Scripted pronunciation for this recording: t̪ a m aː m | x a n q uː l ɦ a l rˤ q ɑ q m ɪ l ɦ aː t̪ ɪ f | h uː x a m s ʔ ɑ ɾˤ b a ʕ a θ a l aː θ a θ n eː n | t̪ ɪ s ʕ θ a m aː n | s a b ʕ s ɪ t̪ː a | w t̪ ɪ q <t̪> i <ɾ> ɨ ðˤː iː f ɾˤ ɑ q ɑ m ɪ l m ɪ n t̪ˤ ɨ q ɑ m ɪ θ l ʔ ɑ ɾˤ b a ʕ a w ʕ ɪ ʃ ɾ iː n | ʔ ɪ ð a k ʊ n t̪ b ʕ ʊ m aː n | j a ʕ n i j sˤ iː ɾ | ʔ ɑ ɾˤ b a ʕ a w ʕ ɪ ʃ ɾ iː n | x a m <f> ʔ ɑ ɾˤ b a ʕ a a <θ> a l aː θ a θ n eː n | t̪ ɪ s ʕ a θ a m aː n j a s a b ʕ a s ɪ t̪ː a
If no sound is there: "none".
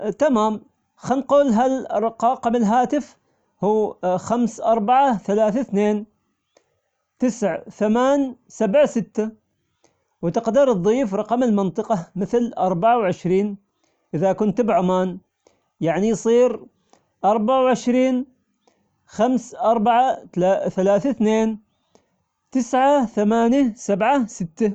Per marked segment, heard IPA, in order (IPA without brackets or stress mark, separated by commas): d̪, ɾ, s, θ